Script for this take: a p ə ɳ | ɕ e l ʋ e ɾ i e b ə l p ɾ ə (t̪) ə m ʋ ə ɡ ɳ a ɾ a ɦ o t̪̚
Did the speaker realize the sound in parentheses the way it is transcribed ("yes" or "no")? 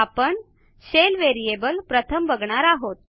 no